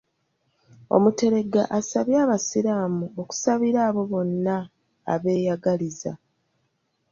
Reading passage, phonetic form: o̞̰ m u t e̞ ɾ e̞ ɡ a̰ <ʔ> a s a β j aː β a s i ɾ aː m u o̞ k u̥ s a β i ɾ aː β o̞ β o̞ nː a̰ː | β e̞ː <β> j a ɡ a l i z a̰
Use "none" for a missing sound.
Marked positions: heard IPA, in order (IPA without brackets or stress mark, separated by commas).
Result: ʔ, none